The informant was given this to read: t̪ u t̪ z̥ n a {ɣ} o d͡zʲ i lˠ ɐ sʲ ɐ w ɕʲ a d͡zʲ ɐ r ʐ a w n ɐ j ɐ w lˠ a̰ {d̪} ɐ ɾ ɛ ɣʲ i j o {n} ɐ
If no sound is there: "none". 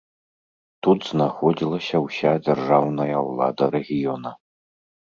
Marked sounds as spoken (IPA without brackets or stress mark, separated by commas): x, d̪, n